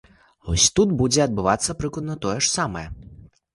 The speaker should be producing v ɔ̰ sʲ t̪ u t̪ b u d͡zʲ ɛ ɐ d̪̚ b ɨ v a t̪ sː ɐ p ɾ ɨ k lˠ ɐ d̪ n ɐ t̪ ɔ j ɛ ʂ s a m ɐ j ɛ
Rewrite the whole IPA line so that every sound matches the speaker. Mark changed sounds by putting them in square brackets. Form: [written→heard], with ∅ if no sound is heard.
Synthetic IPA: v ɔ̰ sʲ t̪ u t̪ b u d͡zʲ ɛ ɐ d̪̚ b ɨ v a t̪ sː ɐ p ɾ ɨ k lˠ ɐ d̪ n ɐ t̪ ɔ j ɛ ʂ s a m ɐ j ɛ